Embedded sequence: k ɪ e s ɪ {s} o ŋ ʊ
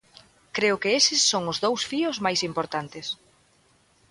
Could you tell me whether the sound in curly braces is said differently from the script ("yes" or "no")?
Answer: yes